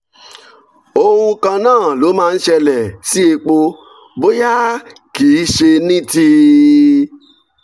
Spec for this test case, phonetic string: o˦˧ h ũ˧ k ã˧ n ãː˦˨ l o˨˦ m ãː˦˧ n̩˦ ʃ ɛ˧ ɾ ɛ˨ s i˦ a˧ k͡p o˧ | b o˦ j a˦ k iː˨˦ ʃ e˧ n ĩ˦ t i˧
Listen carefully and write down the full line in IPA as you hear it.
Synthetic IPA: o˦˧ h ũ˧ k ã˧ n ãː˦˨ l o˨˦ m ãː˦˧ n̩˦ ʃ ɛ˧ l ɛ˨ s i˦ e˧ k͡p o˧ | b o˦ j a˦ k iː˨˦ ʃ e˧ n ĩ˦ t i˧